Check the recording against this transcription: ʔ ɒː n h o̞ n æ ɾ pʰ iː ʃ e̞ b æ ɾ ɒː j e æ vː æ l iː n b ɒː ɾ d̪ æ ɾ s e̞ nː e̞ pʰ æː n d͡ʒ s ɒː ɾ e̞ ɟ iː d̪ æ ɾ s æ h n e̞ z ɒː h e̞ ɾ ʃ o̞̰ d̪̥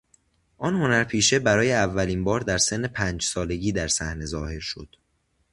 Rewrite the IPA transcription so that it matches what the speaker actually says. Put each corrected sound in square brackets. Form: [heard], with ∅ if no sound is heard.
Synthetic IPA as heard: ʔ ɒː n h o̞ n æ ɾ pʰ iː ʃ e̞ b æ ɾ ɒː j e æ vː æ l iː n b ɒː ɾ d̪ æ ɾ s e̞ nː e̞ pʰ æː n d͡ʒ s ɒː [l] e̞ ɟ iː d̪ æ ɾ s æ h n e̞ z ɒː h e̞ ɾ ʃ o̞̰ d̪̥